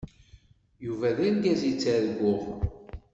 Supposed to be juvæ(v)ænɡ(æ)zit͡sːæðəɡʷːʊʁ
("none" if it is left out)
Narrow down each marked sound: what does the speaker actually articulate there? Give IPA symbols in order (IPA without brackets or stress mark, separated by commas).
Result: ð, æ